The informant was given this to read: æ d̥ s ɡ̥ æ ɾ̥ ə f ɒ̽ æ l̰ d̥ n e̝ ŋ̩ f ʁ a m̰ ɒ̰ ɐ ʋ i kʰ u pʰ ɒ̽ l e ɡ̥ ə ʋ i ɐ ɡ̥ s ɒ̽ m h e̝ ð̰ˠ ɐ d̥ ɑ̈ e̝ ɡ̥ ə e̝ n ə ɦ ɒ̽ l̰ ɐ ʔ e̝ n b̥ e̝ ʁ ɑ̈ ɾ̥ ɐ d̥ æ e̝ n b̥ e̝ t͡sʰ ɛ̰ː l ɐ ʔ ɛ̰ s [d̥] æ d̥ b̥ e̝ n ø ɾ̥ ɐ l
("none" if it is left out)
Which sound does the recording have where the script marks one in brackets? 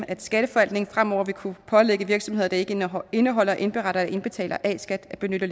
ɡ̥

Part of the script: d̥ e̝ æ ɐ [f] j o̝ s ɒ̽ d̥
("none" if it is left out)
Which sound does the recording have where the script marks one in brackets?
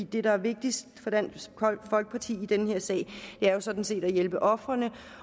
none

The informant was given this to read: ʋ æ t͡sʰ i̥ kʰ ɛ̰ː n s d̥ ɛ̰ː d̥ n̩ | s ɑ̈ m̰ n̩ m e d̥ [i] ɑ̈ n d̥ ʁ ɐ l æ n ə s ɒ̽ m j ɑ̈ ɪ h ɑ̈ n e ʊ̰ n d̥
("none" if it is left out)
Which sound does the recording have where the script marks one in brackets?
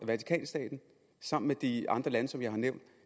i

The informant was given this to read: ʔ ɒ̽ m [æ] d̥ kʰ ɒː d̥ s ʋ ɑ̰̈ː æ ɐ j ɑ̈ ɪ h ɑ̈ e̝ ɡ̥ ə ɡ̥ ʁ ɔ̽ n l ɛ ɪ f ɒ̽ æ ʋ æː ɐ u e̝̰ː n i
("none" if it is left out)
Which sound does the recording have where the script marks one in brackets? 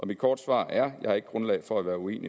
i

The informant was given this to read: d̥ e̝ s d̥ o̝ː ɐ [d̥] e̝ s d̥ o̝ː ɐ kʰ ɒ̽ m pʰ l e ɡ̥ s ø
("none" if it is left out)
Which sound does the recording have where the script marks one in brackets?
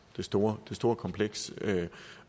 d̥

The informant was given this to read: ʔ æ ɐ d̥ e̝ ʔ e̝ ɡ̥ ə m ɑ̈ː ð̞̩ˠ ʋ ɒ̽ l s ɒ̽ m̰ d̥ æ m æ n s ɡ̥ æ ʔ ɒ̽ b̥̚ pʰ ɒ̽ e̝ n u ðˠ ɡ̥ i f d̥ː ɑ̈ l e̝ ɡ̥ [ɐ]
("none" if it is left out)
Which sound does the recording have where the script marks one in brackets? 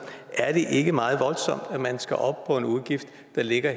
ɐ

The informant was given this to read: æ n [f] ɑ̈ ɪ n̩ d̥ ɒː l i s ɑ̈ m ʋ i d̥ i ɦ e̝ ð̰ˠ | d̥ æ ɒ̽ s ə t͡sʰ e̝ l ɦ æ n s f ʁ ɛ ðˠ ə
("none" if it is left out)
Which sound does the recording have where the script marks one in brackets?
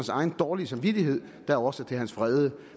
s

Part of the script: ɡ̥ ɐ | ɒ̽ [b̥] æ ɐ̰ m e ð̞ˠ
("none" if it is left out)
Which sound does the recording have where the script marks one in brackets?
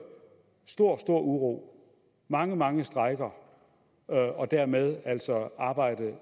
d̥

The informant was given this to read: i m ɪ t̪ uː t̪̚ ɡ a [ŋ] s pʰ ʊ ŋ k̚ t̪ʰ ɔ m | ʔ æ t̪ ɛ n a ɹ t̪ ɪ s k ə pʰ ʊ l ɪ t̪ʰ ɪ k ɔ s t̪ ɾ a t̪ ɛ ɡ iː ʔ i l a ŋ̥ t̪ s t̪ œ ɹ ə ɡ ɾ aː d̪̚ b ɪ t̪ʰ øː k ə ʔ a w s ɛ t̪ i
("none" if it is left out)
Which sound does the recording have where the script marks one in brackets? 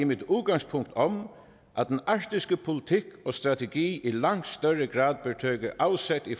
ŋ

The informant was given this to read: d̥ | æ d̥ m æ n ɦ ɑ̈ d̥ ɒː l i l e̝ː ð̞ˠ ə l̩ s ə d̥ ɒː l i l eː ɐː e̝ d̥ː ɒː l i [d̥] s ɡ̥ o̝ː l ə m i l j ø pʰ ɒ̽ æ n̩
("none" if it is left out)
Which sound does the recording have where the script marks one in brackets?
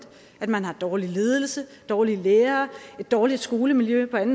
d̥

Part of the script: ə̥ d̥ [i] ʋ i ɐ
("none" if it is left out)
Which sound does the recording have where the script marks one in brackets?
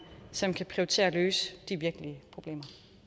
i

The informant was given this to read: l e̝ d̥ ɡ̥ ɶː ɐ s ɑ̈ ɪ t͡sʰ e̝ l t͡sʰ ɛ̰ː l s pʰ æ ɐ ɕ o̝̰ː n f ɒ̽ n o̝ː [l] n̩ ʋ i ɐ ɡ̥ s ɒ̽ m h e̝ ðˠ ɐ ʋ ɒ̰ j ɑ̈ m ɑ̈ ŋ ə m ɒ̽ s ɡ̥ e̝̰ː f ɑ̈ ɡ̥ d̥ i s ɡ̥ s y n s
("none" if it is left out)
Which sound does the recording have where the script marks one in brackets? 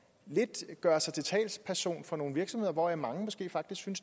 none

